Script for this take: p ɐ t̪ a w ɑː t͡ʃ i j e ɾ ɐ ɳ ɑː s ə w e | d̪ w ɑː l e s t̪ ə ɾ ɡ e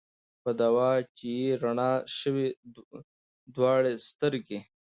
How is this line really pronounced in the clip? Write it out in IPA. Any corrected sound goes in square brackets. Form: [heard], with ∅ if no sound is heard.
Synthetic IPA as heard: p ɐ [d̪] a w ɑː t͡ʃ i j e ɾ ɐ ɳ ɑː [ʃ] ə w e | d̪ w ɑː [ɽ] e s t̪ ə ɾ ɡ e